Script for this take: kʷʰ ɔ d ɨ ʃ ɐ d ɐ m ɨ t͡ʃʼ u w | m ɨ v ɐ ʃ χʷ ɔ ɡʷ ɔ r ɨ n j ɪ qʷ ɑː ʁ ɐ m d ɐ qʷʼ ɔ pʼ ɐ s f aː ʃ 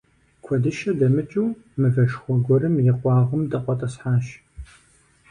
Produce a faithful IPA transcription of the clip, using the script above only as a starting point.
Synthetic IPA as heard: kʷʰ ɔ d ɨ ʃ ɐ d ɐ m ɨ t͡ʃʼ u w | m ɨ v ɐ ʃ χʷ ɔ ɡʷ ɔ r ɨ m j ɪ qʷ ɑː ʁ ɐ m d ɐ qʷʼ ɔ tʼ ɐ s ħ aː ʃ